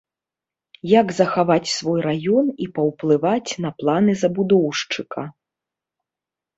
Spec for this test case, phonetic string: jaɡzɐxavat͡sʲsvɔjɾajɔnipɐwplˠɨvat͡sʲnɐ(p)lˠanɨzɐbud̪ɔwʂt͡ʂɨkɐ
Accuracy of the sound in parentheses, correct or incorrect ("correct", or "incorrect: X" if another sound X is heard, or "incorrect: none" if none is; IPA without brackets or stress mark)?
correct